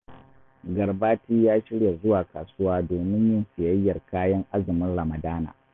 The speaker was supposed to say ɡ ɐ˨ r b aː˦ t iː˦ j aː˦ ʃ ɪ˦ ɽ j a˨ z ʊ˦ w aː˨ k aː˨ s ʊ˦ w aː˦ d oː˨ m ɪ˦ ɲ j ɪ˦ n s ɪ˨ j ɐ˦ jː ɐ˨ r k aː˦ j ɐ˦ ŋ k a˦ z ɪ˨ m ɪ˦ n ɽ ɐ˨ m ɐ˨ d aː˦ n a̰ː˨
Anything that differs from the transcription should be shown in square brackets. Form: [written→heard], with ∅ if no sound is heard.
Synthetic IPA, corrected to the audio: ɡ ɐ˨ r b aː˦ t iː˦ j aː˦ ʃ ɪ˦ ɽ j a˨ z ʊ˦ w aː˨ k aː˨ s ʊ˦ w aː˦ d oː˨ m ɪ˦ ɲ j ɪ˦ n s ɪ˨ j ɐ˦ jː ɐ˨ r k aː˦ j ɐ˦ ŋ [k→ʔ] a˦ z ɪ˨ m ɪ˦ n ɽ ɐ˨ m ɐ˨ d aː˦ n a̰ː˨